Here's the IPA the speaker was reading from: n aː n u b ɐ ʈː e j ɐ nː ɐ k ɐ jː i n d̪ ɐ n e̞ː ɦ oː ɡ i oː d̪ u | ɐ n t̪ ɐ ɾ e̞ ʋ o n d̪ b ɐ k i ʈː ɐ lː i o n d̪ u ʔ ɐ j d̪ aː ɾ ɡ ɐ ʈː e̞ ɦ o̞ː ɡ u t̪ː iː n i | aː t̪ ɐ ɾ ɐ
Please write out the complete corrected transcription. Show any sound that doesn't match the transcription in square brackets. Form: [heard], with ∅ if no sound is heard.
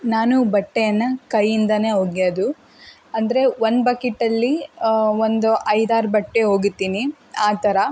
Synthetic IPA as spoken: n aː n u b ɐ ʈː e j ɐ nː ɐ k ɐ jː i n d̪ ɐ n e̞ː ɦ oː ɡ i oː d̪ u | ɐ n [d̪] ɐ ɾ e̞ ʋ o n d̪ b ɐ k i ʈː ɐ lː i o n d̪ u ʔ ɐ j d̪ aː ɾ [b] ɐ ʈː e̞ ɦ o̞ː ɡ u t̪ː iː n i | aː t̪ ɐ ɾ ɐ